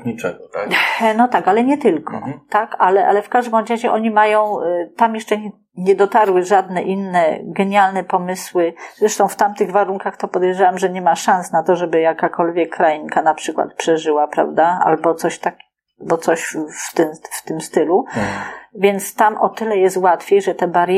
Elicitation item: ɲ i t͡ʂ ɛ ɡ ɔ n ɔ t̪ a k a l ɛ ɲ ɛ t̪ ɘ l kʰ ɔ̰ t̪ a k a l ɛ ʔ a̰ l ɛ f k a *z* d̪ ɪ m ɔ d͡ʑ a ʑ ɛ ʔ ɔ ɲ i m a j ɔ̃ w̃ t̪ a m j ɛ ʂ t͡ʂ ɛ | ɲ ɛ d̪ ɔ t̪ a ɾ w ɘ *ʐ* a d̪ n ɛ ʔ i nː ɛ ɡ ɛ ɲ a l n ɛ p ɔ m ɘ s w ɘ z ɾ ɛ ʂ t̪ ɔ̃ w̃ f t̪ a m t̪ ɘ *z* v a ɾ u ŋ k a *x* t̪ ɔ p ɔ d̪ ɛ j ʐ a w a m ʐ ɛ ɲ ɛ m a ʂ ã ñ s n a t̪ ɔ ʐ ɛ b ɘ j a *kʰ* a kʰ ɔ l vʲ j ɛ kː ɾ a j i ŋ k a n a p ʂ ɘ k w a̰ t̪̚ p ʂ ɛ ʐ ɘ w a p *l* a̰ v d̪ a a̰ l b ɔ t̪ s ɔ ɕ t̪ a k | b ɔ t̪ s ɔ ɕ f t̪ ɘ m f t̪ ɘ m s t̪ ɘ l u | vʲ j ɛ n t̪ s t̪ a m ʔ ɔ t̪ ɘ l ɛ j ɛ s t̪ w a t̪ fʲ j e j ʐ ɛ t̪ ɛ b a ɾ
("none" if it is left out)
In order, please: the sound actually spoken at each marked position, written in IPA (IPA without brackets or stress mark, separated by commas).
ʐ, ʐ, ɣ, x, k, ɾ